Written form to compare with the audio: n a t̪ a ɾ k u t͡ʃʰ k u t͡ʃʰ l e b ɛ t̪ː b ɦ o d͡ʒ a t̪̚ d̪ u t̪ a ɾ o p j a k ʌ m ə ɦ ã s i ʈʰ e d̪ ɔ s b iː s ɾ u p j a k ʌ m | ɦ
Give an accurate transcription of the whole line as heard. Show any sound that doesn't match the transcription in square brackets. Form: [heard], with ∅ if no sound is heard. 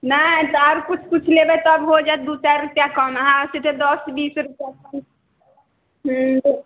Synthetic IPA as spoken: n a t̪ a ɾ k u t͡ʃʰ k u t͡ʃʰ l e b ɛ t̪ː b ɦ o d͡ʒ a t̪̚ d̪ u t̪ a ɾ [u] p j a k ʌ m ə ɦ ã s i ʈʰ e d̪ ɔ s b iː s ɾ u p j a k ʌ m | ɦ